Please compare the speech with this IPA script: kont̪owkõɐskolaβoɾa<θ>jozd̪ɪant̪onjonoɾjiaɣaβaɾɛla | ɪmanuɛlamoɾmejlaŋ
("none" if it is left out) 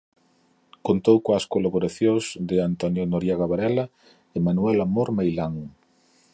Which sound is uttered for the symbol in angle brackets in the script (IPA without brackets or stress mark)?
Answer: θ